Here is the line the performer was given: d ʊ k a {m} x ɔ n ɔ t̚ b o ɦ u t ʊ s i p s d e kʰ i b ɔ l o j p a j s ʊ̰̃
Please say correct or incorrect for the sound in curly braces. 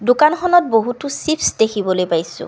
incorrect